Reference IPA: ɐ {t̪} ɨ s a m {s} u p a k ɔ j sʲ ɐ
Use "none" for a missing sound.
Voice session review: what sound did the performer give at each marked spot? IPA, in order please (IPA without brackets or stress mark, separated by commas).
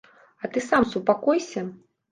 t̪, s